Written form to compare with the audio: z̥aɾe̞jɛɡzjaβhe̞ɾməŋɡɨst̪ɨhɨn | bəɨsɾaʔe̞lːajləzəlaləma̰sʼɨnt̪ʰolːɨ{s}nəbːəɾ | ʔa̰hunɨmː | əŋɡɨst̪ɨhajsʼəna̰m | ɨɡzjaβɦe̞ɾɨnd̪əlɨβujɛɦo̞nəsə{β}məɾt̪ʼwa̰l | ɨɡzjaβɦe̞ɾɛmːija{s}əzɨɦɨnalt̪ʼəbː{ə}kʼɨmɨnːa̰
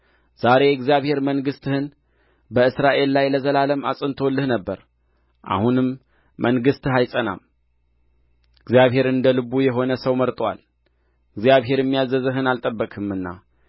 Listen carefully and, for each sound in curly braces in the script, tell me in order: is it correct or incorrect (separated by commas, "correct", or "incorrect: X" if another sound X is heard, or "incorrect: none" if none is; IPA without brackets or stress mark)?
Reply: incorrect: h, incorrect: w, incorrect: z, correct